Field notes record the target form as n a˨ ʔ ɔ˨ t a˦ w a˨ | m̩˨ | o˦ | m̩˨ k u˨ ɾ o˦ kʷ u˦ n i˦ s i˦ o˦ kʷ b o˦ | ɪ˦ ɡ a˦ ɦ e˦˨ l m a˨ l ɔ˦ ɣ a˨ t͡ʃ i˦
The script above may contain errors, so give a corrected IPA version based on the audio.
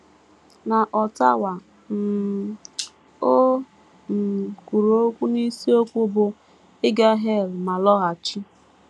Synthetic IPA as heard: n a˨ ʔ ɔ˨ t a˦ w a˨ | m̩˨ | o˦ | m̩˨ k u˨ ɾ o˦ kʷ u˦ n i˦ s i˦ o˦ kʷ b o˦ | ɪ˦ ɡ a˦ ɦ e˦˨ l m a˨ l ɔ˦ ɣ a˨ t͡ʃ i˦

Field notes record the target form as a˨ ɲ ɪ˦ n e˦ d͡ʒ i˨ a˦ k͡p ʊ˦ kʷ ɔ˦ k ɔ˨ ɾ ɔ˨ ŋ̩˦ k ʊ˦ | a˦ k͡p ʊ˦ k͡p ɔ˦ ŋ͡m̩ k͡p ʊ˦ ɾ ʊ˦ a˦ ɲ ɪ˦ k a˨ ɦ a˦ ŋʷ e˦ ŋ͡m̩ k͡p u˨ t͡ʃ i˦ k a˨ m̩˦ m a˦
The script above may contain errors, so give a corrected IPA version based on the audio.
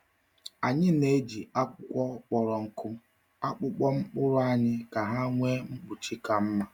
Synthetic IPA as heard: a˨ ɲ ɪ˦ n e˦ d͡ʒ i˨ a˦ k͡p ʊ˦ kʷ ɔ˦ k͡p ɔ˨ ɾ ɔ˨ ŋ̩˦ k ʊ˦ | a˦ k͡p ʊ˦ k͡p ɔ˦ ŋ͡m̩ k͡p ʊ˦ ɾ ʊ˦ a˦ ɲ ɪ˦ k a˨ ɦ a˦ ŋʷ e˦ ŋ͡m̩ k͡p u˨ t͡ʃ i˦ k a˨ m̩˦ m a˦

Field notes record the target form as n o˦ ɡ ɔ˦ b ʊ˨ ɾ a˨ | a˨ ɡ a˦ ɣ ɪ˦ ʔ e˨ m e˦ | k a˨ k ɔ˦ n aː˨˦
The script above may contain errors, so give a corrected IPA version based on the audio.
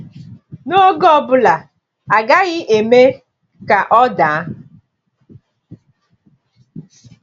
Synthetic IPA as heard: n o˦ ɡ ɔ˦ b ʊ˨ l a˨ | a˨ ɡ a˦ ɣ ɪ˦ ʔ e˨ m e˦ | k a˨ ʔ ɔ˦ d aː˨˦

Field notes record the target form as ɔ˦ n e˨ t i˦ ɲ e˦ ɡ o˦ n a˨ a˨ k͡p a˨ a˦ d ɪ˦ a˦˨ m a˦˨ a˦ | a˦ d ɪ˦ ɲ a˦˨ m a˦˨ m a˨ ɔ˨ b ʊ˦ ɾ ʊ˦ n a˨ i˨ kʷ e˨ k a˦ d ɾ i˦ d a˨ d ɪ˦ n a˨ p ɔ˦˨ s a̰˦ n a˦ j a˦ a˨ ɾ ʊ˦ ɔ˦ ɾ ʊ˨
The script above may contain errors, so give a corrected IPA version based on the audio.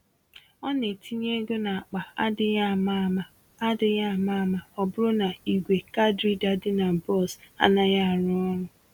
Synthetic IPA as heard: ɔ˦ n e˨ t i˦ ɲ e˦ ɡ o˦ n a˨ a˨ k͡p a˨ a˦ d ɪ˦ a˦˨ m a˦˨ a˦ | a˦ d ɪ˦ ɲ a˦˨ m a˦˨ m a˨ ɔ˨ b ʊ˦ ɾ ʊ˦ n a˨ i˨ ɡʷ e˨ k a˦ d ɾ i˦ d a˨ d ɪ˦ n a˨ b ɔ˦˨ s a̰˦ n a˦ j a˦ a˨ ɾ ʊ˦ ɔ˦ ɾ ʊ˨

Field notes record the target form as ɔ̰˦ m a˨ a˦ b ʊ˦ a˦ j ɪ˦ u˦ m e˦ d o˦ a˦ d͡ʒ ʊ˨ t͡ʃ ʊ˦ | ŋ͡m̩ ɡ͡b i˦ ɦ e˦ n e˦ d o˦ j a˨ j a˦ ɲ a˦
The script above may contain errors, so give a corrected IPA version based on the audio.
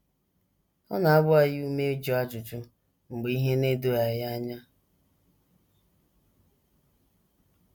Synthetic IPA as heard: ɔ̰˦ n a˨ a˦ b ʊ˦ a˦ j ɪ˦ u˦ m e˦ d͡ʒ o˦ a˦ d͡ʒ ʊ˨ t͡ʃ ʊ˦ | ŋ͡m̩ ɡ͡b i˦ ɦ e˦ n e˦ d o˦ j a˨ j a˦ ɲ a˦

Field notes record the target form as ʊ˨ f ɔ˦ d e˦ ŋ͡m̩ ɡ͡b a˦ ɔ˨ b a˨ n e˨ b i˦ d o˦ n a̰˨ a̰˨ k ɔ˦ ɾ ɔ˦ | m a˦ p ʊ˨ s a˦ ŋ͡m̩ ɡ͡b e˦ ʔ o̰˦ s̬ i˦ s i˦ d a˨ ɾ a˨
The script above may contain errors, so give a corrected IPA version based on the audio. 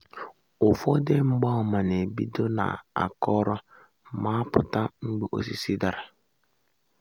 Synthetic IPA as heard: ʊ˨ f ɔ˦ d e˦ ŋ͡m̩ ɡ͡b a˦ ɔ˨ m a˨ n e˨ b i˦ d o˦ n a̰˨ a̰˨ k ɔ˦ ɾ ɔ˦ | m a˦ p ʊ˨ t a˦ ŋ͡m̩ ɡ͡b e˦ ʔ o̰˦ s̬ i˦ s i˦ d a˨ ɾ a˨

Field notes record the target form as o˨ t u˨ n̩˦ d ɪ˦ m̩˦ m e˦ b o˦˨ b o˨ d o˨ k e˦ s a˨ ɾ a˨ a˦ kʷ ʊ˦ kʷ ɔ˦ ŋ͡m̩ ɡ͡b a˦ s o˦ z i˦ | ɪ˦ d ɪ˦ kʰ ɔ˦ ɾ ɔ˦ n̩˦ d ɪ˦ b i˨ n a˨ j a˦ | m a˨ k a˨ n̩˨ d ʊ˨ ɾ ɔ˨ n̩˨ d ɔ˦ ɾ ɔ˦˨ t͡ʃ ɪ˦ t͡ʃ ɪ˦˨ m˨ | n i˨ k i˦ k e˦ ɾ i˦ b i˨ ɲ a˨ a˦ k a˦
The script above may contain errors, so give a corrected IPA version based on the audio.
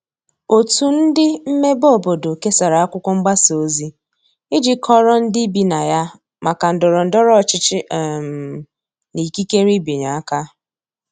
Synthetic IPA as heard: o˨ t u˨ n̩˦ d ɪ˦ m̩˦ m e˦ b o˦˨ b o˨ d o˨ k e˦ s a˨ ɾ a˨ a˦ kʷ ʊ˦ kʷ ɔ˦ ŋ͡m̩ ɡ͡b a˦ s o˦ z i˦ | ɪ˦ d͡ʒ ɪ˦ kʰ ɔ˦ ɾ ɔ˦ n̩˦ d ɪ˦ b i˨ n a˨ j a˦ | m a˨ k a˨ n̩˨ d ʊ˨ ɾ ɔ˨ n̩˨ d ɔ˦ ɾ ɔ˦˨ t͡ʃ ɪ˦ t͡ʃ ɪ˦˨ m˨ | n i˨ k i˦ k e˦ ɾ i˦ b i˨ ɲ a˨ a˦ k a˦

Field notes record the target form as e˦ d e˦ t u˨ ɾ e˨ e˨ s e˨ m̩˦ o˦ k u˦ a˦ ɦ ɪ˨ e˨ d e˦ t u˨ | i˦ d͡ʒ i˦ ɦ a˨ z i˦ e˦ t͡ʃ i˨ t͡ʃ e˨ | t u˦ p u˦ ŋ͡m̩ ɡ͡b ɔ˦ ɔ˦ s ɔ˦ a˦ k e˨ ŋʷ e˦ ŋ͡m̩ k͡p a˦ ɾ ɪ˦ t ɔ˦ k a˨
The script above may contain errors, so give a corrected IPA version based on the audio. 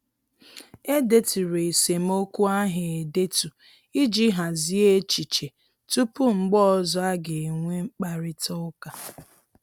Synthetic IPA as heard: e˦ d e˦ t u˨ ɾ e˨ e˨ s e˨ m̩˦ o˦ k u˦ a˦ ɦ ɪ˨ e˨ d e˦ t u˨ | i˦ d͡ʒ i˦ ɦ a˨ z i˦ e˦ t͡ʃ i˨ t͡ʃ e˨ | t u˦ p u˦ ŋ͡m̩ ɡ͡b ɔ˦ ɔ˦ z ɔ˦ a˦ ɡ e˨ ŋʷ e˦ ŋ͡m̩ k͡p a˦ ɾ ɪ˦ t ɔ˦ k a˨

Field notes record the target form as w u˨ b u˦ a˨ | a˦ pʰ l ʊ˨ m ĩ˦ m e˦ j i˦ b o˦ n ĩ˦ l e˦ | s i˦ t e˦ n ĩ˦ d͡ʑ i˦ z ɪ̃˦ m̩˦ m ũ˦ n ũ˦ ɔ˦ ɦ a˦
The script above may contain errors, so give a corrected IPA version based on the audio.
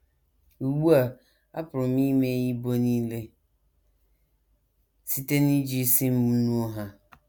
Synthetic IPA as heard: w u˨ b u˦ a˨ | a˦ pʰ ɾ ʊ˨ m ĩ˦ m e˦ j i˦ b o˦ n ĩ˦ l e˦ | s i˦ t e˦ n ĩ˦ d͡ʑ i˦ s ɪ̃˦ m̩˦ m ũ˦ n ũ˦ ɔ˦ ɦ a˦

